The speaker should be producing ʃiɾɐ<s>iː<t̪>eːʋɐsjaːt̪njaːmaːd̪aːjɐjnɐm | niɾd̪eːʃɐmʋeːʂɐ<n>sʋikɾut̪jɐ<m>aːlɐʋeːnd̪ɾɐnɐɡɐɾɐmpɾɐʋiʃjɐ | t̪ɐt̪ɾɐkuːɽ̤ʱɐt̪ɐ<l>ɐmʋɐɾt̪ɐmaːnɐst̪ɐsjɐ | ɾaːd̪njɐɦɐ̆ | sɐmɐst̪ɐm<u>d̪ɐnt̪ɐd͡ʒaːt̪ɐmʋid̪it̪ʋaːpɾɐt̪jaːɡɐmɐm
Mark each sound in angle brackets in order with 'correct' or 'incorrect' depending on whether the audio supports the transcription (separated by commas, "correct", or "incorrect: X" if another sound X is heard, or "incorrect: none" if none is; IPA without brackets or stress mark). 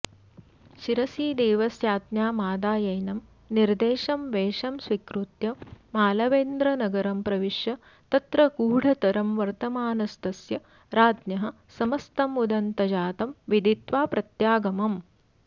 correct, incorrect: d̪, incorrect: m, correct, incorrect: ɾ, correct